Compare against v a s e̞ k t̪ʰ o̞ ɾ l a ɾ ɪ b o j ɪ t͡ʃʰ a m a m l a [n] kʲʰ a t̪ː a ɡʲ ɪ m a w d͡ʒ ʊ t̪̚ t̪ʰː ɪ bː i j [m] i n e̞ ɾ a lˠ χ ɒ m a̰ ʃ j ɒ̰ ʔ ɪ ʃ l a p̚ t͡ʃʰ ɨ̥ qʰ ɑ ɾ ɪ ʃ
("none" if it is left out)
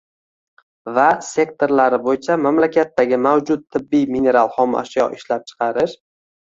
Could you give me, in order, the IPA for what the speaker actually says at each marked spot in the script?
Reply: none, m

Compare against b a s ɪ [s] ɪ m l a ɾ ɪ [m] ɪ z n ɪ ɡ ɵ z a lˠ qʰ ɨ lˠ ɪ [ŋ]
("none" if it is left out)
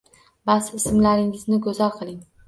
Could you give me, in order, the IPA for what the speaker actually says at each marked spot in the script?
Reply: s, ŋ, ŋ

